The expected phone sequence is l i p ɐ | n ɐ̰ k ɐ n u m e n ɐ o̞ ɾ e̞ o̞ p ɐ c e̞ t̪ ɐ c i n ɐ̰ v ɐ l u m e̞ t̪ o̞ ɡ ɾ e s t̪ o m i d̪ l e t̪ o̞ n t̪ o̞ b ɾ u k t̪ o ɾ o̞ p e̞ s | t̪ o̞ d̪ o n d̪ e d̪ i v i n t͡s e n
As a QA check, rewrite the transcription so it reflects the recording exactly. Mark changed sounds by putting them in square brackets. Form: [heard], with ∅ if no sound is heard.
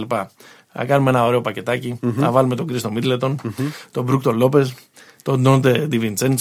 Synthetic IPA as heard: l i p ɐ | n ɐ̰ k ɐ n u m e n ɐ o̞ ɾ e̞ o̞ p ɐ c e̞ t̪ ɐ c i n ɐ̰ v ɐ l u m e̞ t̪ o̞ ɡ ɾ [i] s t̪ o m i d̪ l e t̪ o̞ n t̪ o̞ b ɾ u k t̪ o [l] o̞ p e̞ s | t̪ o̞ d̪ o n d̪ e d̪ i v i n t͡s e n